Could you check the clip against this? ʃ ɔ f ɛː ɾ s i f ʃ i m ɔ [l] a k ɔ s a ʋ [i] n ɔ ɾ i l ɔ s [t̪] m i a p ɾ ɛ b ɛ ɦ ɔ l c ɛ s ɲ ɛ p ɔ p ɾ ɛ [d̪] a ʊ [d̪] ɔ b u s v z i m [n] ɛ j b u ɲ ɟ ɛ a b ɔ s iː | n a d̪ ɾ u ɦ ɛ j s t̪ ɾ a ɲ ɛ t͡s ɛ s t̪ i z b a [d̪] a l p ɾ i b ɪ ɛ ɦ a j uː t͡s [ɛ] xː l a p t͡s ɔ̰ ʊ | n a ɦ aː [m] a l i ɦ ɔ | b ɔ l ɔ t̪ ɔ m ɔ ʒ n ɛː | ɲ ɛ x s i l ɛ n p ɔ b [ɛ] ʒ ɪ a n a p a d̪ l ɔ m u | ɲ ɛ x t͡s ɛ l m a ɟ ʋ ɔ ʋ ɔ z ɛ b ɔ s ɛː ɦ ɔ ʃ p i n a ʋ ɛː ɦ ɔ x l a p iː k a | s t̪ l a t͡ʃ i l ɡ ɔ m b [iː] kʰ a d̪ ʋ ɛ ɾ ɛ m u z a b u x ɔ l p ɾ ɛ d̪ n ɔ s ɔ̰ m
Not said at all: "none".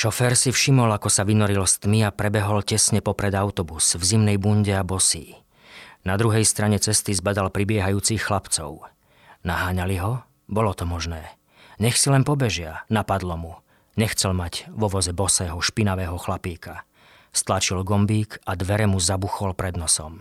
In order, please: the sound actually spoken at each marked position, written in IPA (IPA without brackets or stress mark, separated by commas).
l, i, t̪, d̪, t̪, n, d̪, i, ɲ, ɛ, iː